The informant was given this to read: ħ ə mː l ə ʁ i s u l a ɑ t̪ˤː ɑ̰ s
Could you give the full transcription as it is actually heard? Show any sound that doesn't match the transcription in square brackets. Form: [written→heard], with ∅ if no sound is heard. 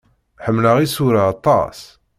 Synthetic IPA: ħ ə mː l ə ʁ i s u [l→ɾ] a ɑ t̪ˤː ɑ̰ s